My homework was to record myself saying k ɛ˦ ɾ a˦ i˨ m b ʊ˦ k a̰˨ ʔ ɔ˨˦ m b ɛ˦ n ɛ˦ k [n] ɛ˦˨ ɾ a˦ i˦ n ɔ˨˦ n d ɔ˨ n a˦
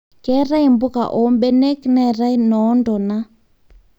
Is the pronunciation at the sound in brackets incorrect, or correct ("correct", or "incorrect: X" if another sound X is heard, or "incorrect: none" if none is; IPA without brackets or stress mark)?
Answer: correct